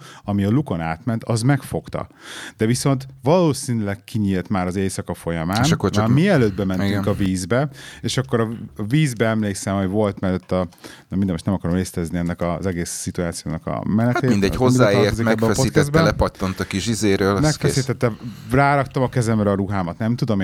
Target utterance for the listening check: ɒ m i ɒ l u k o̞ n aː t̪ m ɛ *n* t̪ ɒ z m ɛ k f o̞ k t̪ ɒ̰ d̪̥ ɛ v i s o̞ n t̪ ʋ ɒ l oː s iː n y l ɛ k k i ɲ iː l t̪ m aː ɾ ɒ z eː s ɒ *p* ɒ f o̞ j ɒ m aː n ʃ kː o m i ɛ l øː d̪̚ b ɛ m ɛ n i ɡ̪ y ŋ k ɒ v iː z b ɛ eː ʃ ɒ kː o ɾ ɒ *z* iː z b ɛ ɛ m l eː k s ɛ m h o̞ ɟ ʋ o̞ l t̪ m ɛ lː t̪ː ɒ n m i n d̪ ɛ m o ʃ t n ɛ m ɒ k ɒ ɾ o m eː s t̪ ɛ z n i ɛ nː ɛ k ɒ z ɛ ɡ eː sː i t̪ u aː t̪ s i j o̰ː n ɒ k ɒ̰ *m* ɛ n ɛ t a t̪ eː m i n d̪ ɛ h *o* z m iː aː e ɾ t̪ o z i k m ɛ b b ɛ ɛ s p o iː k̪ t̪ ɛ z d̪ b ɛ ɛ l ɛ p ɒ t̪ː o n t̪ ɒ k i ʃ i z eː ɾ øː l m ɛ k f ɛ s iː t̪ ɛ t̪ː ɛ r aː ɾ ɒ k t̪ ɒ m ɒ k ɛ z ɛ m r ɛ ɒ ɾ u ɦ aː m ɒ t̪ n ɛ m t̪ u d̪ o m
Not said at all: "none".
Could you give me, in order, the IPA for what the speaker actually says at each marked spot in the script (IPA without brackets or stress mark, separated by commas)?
n, k, v, m, o